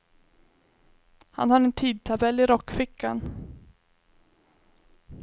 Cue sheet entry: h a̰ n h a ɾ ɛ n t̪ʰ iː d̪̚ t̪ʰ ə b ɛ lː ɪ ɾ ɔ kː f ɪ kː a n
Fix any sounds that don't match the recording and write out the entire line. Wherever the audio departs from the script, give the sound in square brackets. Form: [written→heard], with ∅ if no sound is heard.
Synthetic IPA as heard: h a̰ n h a ɾ ɛ n t̪ʰ iː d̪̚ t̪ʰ [ə→a] b ɛ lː ɪ ɾ ɔ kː f ɪ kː a n